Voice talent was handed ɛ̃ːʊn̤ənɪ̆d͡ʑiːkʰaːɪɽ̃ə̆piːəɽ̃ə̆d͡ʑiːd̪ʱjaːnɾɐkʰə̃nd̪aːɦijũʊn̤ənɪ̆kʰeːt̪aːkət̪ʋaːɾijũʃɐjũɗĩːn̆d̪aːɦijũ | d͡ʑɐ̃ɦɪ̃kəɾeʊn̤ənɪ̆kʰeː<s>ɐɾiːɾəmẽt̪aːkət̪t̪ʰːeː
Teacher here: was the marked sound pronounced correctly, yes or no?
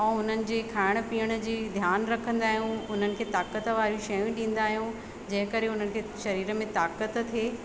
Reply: no